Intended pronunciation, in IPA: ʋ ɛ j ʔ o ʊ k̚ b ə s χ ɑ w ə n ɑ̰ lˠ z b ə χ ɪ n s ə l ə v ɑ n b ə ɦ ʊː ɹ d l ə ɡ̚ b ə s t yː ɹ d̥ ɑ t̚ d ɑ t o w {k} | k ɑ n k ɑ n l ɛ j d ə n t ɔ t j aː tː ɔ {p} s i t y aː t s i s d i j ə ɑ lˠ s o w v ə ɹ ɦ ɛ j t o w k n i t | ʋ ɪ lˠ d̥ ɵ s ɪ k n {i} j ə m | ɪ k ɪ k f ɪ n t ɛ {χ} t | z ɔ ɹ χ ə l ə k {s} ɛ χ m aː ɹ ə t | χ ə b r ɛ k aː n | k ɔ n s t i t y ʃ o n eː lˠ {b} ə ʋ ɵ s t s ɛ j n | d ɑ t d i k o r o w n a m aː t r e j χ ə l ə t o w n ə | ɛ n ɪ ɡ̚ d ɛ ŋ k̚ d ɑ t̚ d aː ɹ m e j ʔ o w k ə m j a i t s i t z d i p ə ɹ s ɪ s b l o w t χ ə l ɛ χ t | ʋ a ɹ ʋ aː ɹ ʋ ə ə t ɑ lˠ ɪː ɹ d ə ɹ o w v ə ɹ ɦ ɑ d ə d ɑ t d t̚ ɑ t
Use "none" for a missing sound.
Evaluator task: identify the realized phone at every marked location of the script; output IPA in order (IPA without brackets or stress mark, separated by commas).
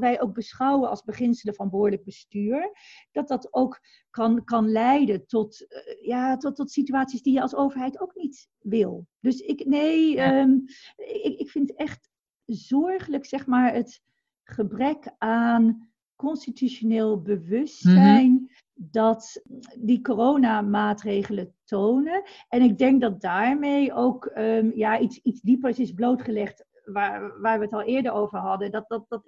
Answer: k, t, e, χ, s, b